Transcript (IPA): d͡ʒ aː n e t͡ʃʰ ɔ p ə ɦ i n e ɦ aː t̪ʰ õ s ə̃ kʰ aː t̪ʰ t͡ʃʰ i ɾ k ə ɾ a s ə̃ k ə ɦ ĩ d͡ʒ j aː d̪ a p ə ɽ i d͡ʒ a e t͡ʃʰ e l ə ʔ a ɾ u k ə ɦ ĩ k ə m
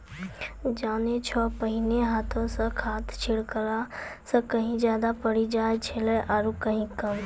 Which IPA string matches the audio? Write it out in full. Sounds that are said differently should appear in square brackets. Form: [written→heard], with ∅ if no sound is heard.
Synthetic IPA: d͡ʒ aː n e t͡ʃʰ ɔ p ə ɦ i n e ɦ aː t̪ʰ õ s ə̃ kʰ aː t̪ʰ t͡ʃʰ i [ɾ→ɽ] k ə ɾ a s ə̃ k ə ɦ ĩ d͡ʒ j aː d̪ a p ə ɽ i d͡ʒ a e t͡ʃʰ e l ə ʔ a ɾ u k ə ɦ ĩ k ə m